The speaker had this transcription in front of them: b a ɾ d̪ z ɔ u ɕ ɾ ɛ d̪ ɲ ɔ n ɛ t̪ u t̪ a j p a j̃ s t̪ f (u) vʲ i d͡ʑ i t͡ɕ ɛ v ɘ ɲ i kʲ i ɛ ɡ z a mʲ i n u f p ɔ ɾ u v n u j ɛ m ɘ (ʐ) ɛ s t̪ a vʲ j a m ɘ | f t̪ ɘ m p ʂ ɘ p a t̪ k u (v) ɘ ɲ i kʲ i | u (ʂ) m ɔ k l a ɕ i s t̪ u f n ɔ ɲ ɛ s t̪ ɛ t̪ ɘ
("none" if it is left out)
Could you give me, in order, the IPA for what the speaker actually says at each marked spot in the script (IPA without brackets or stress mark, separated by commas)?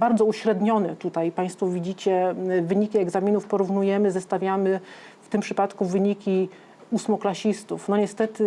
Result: ɔ, z, v, s